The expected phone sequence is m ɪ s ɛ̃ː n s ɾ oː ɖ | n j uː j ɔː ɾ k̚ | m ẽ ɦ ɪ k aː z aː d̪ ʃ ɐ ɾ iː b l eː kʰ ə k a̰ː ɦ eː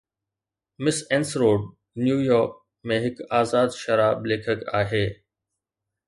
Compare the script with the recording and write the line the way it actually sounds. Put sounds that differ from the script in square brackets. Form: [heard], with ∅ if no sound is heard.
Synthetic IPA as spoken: m ɪ s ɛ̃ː n s ɾ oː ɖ | n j uː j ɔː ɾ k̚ | m ẽ ɦ ɪ k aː z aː d̪ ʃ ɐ ɾ [aː] b l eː kʰ ə k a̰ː ɦ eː